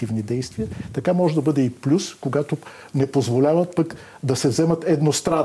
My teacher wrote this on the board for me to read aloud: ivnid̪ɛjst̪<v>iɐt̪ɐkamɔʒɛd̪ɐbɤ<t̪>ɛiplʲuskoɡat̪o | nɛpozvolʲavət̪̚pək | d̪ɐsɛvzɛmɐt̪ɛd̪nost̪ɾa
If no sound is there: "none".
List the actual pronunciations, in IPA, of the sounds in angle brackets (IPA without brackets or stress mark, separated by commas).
v, d̪